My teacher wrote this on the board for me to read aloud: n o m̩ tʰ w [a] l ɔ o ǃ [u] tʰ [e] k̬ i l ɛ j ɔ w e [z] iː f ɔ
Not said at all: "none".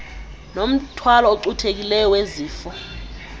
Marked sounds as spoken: a, u, e, z

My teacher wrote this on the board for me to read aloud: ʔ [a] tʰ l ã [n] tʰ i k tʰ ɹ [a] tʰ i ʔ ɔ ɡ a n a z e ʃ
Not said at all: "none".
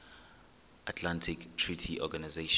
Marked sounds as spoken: a, n, i

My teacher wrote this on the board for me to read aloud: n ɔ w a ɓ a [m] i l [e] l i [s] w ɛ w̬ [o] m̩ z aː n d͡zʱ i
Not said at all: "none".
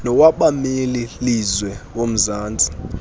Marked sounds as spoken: m, i, z, o

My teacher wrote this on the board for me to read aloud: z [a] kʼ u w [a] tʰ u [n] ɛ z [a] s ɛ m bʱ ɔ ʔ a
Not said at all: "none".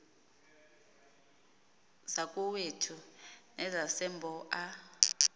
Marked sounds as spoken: a, e, n, a

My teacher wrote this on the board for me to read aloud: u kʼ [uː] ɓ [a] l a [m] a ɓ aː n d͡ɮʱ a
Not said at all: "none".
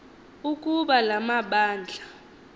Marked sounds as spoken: u, a, m

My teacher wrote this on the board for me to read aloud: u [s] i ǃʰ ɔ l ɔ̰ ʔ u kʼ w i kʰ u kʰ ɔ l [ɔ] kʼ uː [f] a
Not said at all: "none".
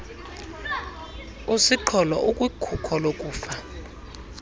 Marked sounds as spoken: s, o, f

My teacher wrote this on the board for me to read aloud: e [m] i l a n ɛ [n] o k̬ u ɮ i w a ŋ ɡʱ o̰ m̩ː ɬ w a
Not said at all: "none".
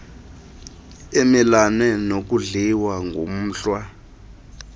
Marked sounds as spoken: m, n

